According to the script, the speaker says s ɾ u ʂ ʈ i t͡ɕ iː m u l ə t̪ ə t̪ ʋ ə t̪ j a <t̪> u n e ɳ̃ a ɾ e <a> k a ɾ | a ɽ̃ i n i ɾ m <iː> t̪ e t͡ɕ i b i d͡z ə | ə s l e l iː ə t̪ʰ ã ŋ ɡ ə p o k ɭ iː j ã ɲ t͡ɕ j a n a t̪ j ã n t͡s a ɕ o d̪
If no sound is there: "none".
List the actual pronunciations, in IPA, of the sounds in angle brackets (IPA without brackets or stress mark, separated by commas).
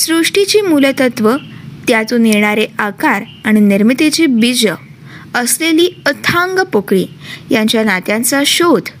t̪, a, i